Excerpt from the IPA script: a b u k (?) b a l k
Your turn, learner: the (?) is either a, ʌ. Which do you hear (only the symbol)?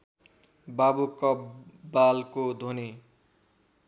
ʌ